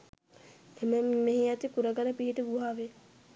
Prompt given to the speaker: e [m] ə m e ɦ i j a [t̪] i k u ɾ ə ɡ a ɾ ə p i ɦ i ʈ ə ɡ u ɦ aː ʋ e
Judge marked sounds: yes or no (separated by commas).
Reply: yes, yes